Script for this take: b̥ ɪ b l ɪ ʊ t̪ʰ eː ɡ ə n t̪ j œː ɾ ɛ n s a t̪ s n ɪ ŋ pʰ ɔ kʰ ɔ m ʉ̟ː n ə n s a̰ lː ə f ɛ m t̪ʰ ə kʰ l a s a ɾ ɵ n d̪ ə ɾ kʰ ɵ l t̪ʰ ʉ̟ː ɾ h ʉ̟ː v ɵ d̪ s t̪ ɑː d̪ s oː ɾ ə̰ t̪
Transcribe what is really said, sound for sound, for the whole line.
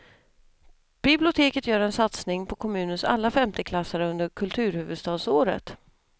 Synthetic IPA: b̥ ɪ b l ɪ ʊ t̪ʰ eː k ə t̪ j œː ɾ ɛ n s a t̪ s n ɪ ŋ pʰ ɔ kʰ ɔ m ʉ̟ː n ə n s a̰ lː a f ɛ m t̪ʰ ə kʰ l a s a ɾ ɵ n d̪ ə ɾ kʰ ɵ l t̪ʰ ʉ̟ː ɾ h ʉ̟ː v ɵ d̪ s t̪ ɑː d̪ s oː ɾ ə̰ t̪